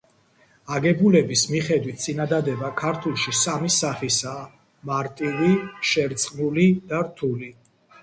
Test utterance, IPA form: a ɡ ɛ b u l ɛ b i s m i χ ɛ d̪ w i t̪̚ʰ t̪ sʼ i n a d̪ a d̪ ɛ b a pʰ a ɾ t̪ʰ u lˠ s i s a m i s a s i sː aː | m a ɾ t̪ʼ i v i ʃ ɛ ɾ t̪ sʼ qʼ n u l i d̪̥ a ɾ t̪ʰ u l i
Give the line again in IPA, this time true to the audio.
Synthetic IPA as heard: a ɡ ɛ b u l ɛ b i s m i χ ɛ d̪ w i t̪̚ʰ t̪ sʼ i n a d̪ a d̪ ɛ b a kʰ a ɾ t̪ʰ u lˠ ʃ i s a m i s a χ i s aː | m a ɾ t̪ʼ i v i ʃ ɛ ɾ t̪ sʼ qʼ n u l i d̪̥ a ɾ t̪ʰ u l i